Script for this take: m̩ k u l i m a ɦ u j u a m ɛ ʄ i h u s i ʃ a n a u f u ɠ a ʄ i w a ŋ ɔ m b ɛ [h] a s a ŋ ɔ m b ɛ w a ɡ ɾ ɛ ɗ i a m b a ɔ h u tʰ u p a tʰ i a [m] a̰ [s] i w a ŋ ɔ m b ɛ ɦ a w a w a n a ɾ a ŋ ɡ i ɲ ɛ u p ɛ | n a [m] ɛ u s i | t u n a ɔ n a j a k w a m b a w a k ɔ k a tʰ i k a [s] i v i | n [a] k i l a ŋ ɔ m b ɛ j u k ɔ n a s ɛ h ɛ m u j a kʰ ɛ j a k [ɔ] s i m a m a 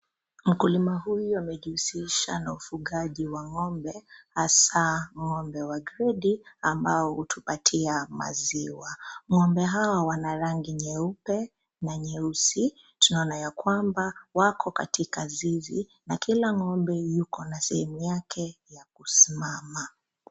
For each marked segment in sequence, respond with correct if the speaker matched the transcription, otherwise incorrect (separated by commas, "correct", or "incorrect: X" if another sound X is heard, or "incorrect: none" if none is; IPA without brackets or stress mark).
correct, correct, incorrect: z, incorrect: ɲ, incorrect: z, correct, incorrect: u